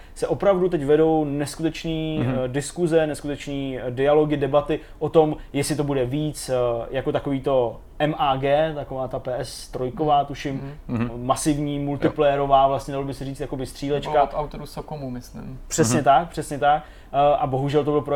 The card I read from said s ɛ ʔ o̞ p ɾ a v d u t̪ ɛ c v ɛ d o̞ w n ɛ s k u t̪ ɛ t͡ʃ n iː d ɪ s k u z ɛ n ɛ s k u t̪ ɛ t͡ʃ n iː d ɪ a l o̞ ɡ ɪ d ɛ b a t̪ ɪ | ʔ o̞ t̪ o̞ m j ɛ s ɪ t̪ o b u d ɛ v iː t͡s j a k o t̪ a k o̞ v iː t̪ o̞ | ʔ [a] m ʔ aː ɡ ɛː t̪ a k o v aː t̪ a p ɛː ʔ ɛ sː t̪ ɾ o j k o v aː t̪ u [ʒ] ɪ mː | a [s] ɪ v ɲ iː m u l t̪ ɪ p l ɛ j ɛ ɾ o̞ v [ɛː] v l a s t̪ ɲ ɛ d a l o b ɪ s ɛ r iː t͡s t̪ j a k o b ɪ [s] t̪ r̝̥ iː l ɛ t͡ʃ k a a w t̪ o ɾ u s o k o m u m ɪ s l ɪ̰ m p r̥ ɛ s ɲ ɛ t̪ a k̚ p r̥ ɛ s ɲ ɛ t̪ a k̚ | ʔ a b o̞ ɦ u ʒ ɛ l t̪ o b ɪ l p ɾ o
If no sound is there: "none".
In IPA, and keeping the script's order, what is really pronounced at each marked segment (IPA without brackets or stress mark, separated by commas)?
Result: ɛ, ʃ, s, aː, s